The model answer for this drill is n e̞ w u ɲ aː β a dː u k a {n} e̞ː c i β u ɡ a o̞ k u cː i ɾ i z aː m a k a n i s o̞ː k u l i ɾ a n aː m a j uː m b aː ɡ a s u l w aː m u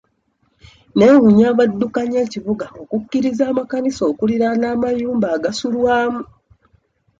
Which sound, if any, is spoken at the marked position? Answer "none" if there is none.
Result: ɲ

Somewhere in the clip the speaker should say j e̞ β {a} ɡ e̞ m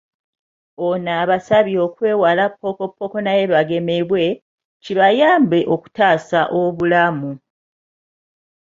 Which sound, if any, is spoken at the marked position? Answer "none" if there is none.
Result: a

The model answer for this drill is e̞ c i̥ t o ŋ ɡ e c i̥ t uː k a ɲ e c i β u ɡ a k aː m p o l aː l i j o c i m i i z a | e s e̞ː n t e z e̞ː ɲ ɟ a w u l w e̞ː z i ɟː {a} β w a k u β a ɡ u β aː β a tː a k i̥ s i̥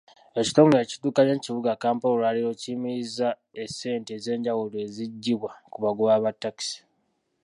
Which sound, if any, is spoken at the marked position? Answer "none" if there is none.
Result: i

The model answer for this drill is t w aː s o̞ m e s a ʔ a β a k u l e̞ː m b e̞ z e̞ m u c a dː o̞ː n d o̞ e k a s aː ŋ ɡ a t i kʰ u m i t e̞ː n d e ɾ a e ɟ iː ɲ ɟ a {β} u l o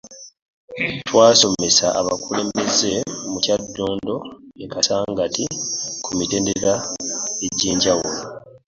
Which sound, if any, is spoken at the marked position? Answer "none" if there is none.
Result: w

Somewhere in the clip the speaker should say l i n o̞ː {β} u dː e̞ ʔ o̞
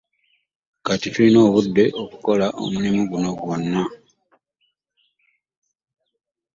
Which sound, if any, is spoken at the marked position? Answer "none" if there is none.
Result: β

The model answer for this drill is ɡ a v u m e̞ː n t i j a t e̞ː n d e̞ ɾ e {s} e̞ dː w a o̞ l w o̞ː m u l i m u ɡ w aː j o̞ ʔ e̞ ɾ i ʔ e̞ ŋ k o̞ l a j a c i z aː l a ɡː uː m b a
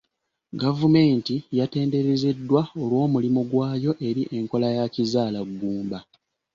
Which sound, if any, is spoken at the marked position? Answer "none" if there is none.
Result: z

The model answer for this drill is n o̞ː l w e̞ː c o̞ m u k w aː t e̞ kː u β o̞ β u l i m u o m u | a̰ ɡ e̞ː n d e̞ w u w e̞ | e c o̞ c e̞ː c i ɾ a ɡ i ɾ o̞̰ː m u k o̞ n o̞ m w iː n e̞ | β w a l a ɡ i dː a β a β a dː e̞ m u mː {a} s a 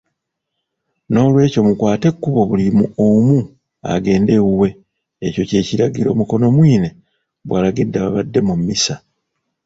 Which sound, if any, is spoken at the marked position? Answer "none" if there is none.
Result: i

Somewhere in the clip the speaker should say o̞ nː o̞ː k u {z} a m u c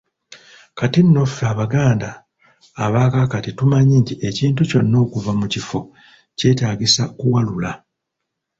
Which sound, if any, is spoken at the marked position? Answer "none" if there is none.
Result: v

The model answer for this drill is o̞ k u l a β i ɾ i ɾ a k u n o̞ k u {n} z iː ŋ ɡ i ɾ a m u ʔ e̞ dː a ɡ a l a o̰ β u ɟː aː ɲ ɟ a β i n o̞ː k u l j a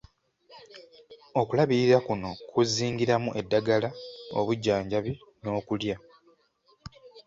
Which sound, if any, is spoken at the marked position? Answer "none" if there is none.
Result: none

